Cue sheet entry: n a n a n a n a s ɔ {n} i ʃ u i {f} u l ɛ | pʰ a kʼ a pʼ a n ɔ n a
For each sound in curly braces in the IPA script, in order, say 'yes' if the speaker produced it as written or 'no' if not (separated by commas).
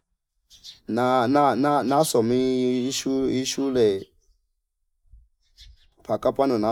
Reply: no, no